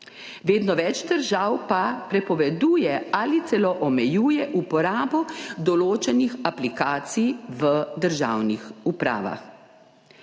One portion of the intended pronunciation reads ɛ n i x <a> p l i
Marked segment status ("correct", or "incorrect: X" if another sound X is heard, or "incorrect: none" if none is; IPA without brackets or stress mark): correct